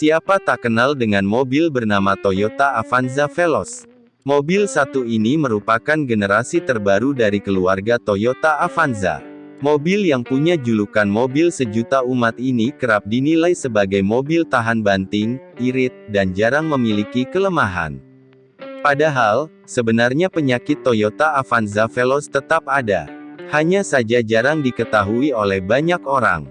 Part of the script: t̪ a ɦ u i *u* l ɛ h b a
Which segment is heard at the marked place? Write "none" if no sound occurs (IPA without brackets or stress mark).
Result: o